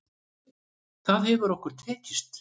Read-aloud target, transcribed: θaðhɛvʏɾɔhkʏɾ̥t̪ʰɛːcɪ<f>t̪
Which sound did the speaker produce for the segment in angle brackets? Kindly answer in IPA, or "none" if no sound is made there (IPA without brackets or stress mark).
s